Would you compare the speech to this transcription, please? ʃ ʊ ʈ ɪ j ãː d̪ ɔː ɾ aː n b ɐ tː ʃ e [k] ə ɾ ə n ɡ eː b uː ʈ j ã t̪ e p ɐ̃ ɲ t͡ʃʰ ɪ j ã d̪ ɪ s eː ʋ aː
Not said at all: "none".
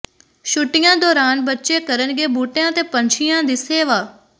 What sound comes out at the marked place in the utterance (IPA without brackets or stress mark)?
k